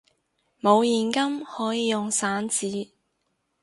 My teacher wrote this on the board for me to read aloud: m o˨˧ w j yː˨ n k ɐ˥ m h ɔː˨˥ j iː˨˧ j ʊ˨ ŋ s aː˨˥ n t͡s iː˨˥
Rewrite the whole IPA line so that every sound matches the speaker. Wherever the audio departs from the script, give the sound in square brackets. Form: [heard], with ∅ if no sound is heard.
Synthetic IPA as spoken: m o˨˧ w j [iː˨] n k ɐ˥ m h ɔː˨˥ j iː˨˧ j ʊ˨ ŋ s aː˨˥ n t͡s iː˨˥